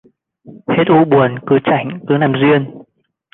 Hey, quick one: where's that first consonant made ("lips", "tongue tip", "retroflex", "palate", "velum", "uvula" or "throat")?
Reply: throat